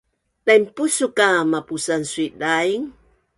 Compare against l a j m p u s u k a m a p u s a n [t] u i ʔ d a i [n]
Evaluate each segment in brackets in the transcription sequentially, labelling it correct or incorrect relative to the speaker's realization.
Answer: incorrect: s, incorrect: ŋ

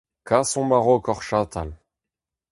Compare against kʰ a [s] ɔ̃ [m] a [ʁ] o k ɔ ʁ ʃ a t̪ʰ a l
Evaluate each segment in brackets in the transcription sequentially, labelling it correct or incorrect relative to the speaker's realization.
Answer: correct, correct, correct

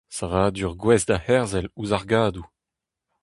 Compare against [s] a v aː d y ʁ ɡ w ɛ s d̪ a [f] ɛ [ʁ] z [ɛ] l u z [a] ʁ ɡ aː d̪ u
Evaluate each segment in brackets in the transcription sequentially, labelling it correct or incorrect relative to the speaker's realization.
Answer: correct, incorrect: h, correct, correct, correct

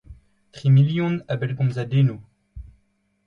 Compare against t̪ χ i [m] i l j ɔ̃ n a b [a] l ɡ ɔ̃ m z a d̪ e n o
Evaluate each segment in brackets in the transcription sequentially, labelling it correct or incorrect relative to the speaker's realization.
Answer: correct, incorrect: ɛ

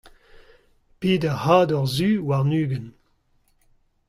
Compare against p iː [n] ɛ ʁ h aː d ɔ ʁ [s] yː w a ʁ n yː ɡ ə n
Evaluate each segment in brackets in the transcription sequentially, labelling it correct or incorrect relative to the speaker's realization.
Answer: incorrect: d, incorrect: z

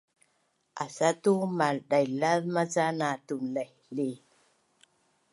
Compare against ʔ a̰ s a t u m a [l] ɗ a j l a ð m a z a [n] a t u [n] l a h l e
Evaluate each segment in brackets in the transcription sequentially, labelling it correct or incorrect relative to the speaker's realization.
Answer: correct, correct, correct

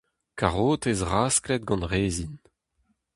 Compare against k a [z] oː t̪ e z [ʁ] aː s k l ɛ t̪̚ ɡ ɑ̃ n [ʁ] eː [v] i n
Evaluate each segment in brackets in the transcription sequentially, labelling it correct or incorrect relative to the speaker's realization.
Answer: incorrect: ʁ, correct, correct, incorrect: z

